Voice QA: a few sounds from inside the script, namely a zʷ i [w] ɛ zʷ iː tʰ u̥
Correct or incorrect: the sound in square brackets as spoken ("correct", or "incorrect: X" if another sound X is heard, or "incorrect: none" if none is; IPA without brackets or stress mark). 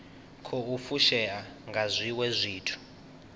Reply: correct